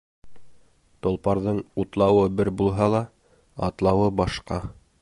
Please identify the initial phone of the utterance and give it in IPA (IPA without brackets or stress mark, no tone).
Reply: t̪